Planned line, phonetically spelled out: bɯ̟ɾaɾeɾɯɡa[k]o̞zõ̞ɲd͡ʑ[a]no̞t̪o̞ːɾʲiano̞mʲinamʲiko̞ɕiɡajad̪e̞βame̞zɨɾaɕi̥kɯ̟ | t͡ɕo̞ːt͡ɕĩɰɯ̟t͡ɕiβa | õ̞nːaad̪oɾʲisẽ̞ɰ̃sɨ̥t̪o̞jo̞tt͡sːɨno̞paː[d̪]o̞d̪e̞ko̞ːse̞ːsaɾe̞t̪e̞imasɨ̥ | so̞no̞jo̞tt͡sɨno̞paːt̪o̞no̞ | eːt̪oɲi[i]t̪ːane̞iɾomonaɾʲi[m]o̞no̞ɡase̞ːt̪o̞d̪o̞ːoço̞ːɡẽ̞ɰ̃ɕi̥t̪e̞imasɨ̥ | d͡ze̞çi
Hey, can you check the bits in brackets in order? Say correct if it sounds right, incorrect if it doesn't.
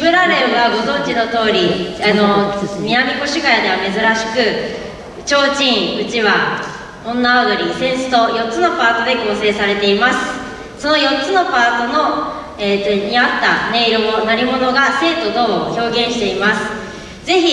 incorrect: ɡ, incorrect: i, incorrect: t̪, incorrect: a, correct

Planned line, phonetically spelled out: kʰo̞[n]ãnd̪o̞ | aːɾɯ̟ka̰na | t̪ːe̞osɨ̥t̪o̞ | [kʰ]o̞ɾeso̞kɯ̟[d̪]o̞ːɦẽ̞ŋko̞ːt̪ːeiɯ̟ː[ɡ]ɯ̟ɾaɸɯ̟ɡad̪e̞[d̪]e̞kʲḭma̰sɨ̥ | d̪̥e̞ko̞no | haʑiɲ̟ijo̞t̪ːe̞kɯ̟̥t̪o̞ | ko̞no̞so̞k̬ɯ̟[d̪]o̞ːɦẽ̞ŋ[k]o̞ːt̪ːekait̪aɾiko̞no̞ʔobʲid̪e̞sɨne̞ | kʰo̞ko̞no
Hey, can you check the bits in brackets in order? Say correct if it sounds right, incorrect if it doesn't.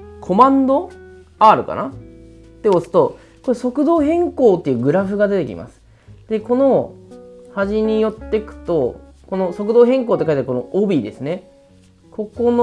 incorrect: m, incorrect: k, correct, correct, incorrect: t̪, correct, correct

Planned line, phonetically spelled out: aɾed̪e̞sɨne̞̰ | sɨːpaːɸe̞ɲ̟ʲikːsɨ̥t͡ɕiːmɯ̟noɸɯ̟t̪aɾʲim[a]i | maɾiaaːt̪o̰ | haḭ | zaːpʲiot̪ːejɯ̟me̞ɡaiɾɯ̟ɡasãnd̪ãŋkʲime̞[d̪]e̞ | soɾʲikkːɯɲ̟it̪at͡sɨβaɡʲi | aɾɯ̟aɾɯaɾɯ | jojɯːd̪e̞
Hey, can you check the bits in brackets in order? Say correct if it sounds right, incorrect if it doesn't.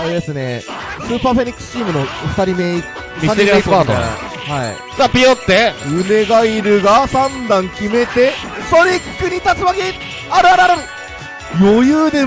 incorrect: e, incorrect: t̪

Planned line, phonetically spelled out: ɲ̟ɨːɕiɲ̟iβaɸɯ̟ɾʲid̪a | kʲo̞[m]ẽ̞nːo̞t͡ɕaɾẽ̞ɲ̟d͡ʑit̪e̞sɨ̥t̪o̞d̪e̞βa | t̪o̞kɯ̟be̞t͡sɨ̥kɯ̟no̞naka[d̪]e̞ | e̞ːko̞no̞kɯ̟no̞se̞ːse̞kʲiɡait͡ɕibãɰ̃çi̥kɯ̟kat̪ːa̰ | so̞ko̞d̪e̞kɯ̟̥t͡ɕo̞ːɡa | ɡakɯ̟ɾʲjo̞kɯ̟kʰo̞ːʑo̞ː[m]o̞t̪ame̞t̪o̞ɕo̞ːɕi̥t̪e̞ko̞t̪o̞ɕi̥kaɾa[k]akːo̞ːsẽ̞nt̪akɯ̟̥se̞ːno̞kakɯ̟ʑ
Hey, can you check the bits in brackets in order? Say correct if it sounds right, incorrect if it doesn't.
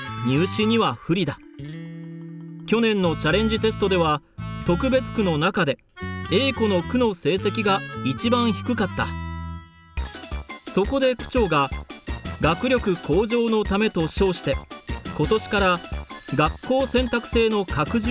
incorrect: n, correct, incorrect: n, incorrect: ɡ

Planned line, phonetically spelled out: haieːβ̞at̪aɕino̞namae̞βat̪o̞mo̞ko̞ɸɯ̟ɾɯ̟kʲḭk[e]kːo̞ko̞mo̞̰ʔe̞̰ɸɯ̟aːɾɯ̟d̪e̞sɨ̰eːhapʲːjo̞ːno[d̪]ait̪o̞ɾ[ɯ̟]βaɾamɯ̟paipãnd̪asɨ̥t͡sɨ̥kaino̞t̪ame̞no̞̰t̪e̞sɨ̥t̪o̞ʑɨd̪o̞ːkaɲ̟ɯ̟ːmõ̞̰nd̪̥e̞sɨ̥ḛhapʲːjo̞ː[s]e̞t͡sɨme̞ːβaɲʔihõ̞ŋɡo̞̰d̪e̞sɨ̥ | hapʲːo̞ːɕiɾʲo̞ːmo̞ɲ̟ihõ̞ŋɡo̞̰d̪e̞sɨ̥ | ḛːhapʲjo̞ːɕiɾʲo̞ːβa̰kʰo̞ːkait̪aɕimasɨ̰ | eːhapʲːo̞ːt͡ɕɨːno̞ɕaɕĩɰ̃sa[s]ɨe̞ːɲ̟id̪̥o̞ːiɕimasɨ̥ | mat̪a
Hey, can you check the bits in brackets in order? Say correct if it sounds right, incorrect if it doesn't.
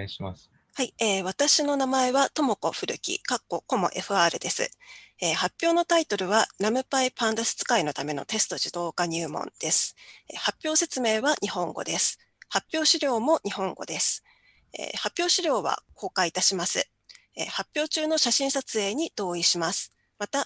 incorrect: a, incorrect: t̪, correct, correct, incorrect: t͡s

